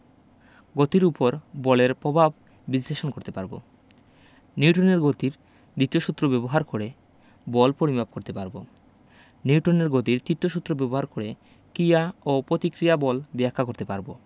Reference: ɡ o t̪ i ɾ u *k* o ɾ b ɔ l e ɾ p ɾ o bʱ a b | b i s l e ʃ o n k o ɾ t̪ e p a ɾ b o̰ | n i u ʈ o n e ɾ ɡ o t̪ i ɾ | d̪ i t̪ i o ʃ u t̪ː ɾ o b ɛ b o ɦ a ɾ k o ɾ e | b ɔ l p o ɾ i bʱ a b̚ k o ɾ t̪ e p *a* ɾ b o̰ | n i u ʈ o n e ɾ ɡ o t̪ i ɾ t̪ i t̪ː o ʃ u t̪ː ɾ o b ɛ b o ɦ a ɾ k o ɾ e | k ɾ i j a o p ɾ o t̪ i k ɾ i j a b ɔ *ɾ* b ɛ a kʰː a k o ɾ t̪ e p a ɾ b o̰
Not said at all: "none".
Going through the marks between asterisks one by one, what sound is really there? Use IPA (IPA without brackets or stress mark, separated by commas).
p, a, l